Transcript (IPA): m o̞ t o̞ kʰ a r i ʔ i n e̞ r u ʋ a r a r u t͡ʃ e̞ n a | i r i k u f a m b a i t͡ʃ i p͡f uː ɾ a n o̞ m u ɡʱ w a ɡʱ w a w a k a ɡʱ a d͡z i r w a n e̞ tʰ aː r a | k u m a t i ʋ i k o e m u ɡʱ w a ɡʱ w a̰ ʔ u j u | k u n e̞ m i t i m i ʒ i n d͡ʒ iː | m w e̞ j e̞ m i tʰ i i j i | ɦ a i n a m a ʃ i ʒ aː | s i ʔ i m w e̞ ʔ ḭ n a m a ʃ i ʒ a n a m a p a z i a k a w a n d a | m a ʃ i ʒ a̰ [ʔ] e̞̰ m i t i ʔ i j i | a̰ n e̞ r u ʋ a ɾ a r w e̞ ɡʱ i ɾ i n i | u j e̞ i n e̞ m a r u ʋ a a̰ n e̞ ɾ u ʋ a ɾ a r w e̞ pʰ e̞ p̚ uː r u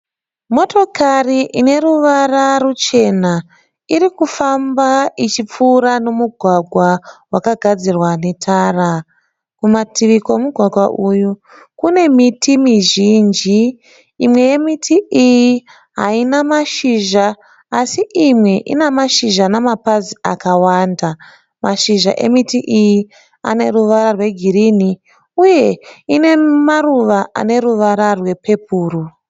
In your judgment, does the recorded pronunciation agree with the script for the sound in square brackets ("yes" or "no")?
yes